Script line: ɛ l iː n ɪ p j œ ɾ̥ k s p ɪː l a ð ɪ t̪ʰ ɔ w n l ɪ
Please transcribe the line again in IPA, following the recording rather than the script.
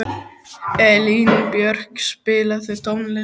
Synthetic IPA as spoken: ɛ l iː n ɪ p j œ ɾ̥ k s p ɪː l a θ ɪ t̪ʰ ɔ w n l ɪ